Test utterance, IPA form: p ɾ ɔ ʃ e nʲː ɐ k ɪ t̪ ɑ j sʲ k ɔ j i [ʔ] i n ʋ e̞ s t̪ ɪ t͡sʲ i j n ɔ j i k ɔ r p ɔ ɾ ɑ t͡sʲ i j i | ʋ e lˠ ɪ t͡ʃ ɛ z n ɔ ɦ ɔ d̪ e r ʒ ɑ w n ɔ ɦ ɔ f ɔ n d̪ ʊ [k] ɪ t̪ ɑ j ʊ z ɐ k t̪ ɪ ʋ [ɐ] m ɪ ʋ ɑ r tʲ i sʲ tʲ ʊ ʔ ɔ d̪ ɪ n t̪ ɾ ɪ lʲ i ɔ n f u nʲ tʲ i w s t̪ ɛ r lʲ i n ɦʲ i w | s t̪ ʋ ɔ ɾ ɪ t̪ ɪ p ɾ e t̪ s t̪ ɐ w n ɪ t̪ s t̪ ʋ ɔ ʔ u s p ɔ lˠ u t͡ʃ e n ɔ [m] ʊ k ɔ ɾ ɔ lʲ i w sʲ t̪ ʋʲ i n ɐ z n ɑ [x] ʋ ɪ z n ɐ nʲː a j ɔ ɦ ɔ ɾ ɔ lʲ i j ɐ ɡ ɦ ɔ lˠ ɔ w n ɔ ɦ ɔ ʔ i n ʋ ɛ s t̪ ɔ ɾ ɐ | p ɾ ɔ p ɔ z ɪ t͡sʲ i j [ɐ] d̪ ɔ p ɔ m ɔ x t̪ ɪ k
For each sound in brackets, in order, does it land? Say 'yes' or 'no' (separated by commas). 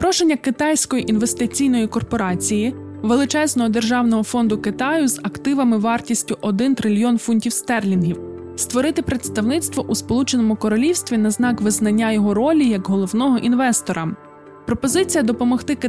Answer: yes, yes, yes, yes, no, yes